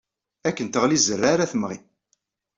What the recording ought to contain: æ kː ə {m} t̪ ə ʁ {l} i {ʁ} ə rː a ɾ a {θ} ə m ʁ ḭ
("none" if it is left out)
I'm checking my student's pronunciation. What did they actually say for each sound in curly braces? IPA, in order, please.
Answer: n, l, z, θ

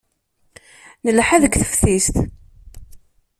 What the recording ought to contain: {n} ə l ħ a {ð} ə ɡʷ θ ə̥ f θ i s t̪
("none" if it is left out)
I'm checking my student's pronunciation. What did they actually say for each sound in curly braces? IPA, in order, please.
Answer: n, ð

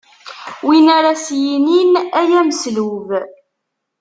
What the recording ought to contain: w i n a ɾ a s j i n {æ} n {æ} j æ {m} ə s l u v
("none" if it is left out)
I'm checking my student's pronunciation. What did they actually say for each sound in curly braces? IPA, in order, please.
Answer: i, æ, m

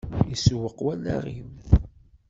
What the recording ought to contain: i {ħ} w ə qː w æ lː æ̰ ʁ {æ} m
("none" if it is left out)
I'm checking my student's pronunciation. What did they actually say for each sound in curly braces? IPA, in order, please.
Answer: s, i

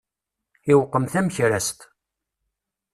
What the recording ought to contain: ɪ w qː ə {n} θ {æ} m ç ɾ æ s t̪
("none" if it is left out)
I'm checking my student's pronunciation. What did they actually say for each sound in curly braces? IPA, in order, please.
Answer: m, æ

